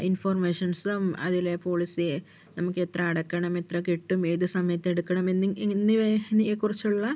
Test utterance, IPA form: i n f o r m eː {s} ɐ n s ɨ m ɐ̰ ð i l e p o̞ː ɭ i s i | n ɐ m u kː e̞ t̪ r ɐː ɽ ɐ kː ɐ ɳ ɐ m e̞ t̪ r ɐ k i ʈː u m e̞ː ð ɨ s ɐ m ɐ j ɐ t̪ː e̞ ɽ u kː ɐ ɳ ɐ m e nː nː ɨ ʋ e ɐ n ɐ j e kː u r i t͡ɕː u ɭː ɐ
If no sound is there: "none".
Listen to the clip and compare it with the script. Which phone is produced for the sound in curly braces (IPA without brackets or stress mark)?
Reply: ʂ